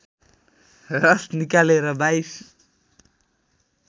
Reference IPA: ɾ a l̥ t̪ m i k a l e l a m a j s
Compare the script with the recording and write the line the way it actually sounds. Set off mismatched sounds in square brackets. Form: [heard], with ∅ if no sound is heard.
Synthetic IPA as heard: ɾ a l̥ t̪ [n] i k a l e [ɾ] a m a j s